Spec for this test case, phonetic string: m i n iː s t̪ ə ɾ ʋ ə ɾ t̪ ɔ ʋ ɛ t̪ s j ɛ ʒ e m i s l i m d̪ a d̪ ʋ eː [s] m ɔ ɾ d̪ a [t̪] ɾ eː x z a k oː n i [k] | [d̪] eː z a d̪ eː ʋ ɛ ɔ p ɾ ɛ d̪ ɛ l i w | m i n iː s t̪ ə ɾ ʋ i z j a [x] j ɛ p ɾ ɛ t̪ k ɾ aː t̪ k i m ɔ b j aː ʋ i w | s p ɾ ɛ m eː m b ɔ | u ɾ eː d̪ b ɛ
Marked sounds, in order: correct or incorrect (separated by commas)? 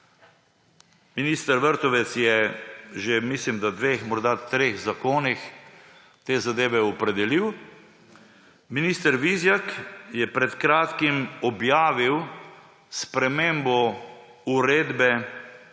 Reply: incorrect, correct, incorrect, incorrect, incorrect